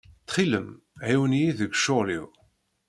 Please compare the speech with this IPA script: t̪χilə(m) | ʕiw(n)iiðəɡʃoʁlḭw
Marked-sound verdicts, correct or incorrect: correct, correct

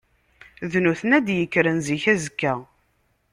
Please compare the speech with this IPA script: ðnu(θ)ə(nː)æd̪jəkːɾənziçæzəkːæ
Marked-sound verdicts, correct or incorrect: correct, incorrect

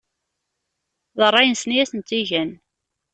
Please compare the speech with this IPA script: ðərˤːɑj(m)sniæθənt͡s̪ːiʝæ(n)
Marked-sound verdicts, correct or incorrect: incorrect, correct

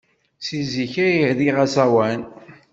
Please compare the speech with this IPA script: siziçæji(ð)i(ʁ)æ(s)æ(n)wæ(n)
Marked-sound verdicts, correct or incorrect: correct, correct, correct, incorrect, correct

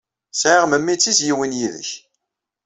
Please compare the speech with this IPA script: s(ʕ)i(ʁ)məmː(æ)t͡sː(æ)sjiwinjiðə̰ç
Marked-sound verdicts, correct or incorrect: correct, correct, incorrect, incorrect

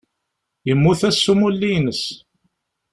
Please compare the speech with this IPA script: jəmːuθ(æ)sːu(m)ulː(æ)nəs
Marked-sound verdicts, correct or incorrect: correct, correct, incorrect

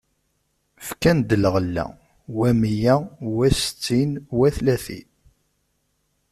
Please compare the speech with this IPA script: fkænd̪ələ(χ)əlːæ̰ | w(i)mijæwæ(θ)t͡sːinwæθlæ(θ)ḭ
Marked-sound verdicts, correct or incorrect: incorrect, incorrect, incorrect, correct

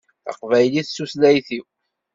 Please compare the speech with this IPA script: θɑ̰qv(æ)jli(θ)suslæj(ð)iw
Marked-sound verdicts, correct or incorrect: correct, correct, incorrect

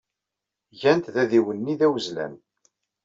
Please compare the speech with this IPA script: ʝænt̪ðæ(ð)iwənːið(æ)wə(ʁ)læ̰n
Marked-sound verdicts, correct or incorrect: correct, correct, incorrect

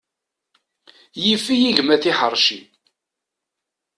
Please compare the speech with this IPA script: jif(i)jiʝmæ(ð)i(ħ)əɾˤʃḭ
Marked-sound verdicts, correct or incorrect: correct, incorrect, correct

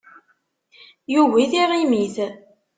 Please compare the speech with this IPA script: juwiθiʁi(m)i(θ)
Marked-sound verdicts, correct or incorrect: correct, correct

